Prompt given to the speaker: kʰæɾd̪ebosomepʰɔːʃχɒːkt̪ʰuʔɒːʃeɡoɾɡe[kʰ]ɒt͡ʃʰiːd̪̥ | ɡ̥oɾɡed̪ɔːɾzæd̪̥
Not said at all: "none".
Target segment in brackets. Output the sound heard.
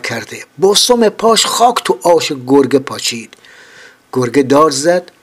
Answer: pʰ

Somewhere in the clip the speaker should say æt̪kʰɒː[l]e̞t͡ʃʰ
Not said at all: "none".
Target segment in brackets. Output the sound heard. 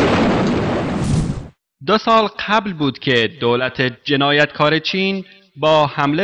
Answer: ɾ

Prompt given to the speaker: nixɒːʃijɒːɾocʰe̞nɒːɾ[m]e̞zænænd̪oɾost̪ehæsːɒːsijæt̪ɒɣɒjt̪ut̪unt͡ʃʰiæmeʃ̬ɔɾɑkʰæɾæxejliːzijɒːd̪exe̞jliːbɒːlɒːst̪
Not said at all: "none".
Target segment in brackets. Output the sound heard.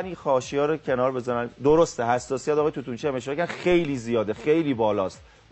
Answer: b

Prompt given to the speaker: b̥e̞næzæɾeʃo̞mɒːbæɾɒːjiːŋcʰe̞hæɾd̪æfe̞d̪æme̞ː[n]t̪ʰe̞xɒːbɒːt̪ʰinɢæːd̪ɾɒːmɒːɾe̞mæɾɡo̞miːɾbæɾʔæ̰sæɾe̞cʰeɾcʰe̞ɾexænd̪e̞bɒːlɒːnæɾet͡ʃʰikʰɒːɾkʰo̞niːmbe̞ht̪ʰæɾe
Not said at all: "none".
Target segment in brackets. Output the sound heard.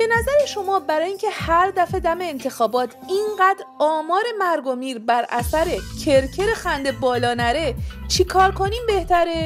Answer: n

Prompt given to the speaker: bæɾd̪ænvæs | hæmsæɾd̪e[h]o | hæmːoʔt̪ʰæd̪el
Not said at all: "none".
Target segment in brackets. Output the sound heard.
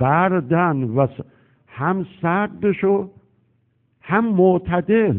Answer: ʃ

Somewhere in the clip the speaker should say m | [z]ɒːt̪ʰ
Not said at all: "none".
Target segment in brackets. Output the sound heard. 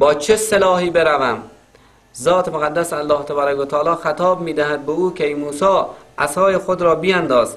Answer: z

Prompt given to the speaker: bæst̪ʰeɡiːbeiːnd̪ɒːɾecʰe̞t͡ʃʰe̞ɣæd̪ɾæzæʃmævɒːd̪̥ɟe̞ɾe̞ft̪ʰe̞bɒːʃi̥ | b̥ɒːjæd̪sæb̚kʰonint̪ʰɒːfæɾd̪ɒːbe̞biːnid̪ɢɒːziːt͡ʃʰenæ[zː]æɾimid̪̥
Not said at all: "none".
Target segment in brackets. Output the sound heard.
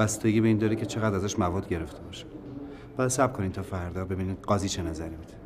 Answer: z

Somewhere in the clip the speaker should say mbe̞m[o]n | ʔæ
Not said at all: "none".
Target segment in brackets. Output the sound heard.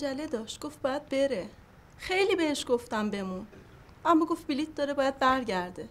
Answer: u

